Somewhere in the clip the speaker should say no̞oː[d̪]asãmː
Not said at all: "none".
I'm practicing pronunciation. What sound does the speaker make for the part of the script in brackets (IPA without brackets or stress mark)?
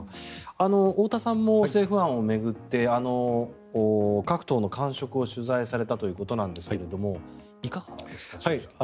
t̪